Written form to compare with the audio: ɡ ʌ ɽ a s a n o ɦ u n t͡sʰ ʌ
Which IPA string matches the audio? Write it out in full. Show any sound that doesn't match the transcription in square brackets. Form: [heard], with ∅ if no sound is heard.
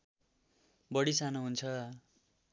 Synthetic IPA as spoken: [b] ʌ ɽ [i] s a n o ɦ u n t͡sʰ ʌ